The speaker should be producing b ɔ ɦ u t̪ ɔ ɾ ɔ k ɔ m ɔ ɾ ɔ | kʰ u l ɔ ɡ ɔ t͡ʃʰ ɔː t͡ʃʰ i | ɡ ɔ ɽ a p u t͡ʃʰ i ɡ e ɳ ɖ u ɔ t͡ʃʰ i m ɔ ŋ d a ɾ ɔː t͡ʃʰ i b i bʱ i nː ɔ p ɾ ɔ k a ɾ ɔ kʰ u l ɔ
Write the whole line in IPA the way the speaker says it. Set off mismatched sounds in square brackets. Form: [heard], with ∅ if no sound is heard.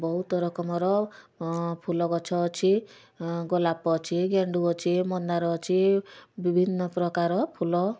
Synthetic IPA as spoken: b ɔ ɦ u t̪ ɔ ɾ ɔ k ɔ m ɔ ɾ ɔ | [pʰ] u l ɔ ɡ ɔ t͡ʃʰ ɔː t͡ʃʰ i | ɡ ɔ [l] a p [ɔ] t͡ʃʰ i ɡ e ɳ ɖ u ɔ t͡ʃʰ i m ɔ [n] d a ɾ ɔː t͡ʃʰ i b i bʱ i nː ɔ p ɾ ɔ k a ɾ ɔ [pʰ] u l ɔ